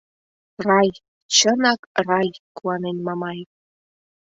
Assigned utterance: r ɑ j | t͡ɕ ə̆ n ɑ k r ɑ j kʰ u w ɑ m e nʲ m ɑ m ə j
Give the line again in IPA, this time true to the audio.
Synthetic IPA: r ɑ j | t͡ɕ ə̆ n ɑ k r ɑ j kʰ u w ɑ n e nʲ m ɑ m ɑ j

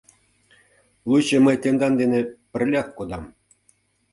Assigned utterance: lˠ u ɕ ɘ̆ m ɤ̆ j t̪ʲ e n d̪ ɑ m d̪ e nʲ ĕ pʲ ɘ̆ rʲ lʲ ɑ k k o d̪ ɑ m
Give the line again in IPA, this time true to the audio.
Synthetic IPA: lˠ u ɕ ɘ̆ m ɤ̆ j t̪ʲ e n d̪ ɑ n d̪ e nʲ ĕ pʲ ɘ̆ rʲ lʲ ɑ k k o d̪ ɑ m

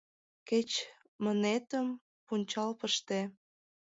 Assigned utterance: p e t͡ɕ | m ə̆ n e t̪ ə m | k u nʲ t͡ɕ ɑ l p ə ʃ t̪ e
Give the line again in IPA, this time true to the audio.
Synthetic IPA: k e t͡ɕ | m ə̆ n e t̪ ə m | p u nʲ t͡ɕ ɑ l p ə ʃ t̪ e

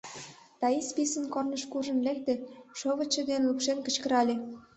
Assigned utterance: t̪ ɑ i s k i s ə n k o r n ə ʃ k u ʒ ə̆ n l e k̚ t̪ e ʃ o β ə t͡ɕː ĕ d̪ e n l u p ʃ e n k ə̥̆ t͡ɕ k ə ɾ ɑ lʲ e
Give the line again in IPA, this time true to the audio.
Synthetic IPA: t̪ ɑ i s p i s ə n k o r n ə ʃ k u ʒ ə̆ n l e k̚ t̪ e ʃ o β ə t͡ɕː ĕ d̪ e n l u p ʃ e n k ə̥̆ t͡ɕ k ə ɾ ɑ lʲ e

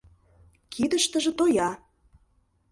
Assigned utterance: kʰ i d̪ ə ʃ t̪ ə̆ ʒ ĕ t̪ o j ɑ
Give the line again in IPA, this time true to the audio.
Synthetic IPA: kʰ i d̪ ə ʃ t̪ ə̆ ʒ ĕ t̪ o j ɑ

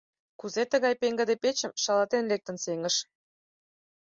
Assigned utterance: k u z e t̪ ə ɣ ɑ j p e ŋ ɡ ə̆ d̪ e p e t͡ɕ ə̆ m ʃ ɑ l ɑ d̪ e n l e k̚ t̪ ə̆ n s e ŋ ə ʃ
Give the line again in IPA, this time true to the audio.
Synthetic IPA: k u z e t̪ ə ɣ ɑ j p e ŋ ɡ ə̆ d̪ e p e t͡ɕ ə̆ m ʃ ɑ l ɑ t̪ e n l e k̚ t̪ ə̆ n s e ŋ ə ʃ

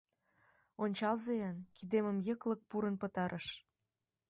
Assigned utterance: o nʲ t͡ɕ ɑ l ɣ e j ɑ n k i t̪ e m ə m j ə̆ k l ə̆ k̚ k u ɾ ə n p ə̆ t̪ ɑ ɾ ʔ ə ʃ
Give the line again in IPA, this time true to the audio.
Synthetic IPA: o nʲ t͡ɕ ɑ l z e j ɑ n k i d̪ e m ə m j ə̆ k l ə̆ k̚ p u ɾ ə n p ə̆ t̪ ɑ ɾ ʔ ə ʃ

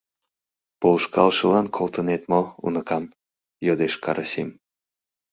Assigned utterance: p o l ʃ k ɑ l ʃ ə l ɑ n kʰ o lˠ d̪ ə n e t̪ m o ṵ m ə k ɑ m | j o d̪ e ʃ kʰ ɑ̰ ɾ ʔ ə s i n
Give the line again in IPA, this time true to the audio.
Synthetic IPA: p o l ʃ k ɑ l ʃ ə l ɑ n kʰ o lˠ t̪ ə n e t̪ m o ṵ n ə k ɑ m | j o d̪ e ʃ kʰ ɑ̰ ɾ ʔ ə s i m

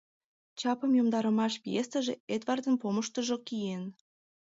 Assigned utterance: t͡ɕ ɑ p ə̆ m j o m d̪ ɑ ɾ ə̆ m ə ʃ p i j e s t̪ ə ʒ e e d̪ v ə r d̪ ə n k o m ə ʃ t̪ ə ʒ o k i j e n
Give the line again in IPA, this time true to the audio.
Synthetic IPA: t͡ɕ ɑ p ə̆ m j o m d̪ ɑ ɾ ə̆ m ɑ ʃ p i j e s t̪ ə ʒ e e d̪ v ɑ r d̪ ə n p o m ə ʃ t̪ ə ʒ o k i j e n

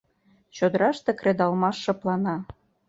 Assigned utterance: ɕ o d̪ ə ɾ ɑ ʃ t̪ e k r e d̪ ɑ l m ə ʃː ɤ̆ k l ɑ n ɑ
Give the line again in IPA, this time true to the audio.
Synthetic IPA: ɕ o d̪ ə ɾ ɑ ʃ t̪ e k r e d̪ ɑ l m ɑ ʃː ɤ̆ p l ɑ n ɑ

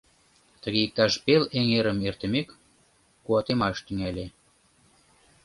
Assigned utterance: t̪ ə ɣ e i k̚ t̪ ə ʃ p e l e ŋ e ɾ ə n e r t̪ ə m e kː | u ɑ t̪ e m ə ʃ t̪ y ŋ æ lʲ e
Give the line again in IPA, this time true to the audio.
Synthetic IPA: t̪ ə ɣ e i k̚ t̪ ɑ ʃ p e l e ŋ e ɾ ə m e r t̪ ə m e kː | u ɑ t̪ e m ɑ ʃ t̪ y ŋ æ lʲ e

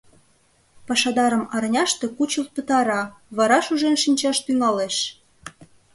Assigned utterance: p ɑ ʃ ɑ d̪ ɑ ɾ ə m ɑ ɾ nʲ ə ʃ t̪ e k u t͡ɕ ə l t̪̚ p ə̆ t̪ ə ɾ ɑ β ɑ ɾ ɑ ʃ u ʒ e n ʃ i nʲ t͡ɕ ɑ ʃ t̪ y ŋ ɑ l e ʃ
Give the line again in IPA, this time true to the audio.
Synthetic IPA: p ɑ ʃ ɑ d̪ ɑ ɾ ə m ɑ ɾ nʲ ɑ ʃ t̪ e k u t͡ɕ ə l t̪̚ p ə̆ t̪ ɑ ɾ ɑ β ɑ ɾ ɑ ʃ u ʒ e n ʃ i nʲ t͡ɕ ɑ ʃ t̪ y ŋ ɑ l e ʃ

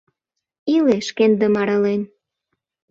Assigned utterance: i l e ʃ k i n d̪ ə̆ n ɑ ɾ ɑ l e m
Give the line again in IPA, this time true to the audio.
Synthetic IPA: i l e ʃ k e n d̪ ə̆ m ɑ ɾ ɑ l e n

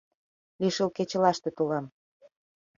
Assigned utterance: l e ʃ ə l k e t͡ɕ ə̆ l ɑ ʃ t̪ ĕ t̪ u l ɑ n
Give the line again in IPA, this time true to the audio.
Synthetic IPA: l i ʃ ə l k e t͡ɕ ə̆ l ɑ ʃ t̪ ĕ t̪ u l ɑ m

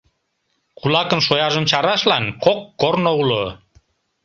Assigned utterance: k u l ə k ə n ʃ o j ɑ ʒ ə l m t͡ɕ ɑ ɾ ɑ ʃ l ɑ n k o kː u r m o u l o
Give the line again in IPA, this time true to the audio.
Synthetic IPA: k u l ɑ k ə n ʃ o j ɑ ʒ ə m t͡ɕ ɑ ɾ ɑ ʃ l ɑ n k o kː o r n o u l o

